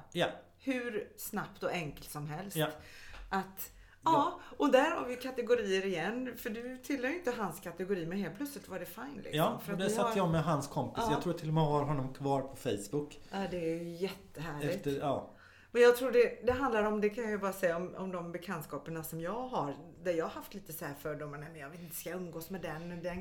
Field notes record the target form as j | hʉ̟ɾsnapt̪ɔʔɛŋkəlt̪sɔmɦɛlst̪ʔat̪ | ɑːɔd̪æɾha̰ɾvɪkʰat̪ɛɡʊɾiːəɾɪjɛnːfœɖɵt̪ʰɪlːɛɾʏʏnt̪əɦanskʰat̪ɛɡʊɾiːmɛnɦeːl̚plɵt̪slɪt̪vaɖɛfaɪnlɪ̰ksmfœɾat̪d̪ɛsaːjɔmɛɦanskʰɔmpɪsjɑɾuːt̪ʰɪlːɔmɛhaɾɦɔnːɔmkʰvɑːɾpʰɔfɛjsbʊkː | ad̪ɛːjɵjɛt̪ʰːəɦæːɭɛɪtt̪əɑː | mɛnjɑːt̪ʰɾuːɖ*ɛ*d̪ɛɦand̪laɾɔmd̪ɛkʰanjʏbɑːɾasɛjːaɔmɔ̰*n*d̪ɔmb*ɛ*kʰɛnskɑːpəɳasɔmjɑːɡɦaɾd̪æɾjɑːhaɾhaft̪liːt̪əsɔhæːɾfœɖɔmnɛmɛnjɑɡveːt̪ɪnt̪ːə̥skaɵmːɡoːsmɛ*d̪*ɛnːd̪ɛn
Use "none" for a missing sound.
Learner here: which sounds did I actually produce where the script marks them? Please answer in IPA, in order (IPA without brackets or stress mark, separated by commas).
ɛ, m, ɛ, d̪